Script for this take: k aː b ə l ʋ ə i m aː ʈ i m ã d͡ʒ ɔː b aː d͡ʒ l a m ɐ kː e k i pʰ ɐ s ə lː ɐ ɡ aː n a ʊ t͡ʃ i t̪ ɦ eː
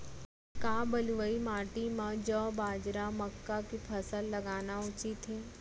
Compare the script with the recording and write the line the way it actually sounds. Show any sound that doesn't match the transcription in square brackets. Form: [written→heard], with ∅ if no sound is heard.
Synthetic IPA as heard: k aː b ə l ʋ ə i m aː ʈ i m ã d͡ʒ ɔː b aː d͡ʒ [l→ɾ] a m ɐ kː [e→a] k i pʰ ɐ s ə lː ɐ ɡ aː n a ʊ t͡ʃ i t̪ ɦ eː